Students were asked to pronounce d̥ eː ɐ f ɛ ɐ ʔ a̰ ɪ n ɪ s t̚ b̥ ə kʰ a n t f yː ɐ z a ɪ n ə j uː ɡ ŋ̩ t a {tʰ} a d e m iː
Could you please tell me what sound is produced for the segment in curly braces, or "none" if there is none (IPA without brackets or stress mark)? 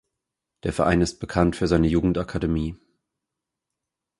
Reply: kʰ